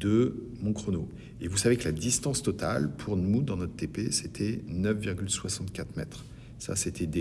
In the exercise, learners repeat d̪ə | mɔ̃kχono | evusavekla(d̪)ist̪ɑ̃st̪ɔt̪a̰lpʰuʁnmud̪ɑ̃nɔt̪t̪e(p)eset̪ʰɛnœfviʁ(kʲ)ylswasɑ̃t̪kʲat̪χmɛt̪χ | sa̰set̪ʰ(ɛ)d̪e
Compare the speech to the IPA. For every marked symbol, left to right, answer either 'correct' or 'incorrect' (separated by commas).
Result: correct, correct, incorrect, correct